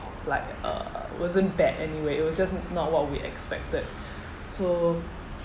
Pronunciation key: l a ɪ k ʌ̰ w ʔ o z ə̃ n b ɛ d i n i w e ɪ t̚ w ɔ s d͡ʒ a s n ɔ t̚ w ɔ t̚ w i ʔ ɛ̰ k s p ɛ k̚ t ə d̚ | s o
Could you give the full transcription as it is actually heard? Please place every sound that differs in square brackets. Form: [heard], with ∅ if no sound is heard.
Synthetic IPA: l a ɪ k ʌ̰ w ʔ [ɔ] z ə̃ n b ɛ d [ɛ] n i w e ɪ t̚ w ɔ s d͡ʒ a s n ɔ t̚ w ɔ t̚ w i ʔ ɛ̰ k s p ɛ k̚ t ə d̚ | s o